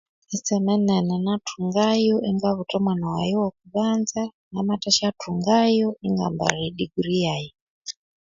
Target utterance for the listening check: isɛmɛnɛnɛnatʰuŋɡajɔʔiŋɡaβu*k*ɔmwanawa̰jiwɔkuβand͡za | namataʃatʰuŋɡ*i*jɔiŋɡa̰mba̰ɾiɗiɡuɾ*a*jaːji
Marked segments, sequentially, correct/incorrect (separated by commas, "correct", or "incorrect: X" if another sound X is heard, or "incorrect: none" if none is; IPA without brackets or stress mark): incorrect: t, incorrect: a, incorrect: i